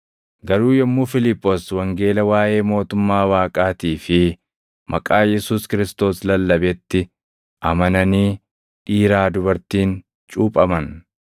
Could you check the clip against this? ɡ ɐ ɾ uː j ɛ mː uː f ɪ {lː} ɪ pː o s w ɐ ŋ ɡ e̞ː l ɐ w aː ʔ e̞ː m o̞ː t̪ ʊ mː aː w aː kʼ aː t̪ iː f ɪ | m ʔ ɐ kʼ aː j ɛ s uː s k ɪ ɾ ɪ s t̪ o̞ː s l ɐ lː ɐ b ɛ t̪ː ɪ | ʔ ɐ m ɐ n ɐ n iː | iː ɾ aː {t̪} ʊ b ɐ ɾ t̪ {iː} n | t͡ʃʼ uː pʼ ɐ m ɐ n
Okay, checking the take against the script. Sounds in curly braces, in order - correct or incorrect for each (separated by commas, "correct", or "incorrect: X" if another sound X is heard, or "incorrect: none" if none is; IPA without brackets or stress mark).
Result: incorrect: l, incorrect: d̪, correct